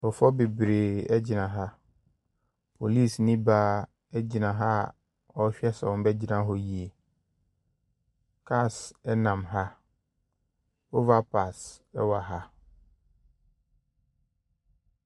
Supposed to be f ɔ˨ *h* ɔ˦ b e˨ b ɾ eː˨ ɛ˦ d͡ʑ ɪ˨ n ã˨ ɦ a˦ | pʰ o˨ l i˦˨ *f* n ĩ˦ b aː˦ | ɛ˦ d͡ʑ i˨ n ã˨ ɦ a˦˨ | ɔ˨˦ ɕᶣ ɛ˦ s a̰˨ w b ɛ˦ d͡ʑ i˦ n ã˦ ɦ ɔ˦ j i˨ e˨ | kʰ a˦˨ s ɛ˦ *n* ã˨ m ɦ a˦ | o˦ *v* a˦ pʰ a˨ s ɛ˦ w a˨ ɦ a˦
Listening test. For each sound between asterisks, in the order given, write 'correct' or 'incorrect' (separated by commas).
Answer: incorrect, incorrect, correct, correct